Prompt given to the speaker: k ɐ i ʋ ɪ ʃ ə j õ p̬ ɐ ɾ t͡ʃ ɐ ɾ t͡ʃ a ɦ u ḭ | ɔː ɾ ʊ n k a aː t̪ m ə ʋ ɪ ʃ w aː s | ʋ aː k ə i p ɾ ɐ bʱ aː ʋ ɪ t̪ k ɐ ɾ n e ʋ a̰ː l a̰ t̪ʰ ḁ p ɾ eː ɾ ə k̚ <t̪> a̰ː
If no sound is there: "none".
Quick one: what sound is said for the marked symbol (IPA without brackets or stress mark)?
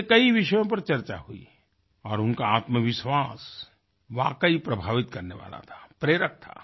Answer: t̪ʰ